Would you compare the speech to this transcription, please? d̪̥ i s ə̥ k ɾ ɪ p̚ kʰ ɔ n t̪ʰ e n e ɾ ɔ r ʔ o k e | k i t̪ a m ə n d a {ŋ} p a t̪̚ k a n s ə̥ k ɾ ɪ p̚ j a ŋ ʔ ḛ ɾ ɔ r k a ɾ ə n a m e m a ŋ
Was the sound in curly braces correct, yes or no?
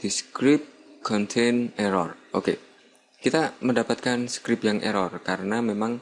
no